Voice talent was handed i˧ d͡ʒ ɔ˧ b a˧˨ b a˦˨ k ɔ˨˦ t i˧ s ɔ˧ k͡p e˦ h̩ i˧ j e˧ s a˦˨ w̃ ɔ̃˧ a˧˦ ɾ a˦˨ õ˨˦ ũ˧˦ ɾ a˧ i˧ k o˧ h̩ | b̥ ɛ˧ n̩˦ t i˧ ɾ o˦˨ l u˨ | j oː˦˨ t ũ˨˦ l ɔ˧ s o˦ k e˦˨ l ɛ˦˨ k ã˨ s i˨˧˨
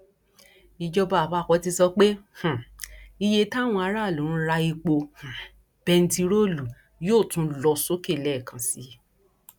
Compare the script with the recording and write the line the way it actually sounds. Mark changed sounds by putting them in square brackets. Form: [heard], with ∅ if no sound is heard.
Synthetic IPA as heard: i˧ d͡ʒ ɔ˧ b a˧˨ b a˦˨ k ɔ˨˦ t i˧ s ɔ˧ k͡p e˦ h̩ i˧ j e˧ [t] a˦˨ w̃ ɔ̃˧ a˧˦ ɾ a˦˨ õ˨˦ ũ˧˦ ɾ a˧ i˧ [k͡p] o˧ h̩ | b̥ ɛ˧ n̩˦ t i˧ ɾ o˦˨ l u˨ | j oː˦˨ t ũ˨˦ l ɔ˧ s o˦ k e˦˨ l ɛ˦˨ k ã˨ s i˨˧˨